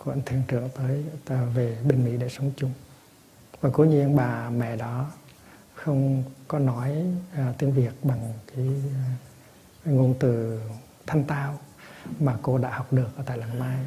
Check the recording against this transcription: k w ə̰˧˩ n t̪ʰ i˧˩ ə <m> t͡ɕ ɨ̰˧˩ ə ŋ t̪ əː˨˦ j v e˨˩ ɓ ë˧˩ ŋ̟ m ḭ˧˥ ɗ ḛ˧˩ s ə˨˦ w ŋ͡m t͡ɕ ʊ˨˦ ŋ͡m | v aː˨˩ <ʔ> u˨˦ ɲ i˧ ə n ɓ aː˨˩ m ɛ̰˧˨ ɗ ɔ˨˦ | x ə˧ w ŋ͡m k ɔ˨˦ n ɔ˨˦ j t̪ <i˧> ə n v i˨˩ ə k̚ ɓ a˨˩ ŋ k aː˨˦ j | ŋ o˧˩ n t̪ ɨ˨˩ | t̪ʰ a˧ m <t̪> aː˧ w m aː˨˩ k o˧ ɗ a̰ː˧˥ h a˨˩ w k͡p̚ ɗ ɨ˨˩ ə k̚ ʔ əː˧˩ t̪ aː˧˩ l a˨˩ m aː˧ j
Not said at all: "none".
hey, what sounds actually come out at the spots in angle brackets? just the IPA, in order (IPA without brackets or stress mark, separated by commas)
ŋ, k, i˧, t̪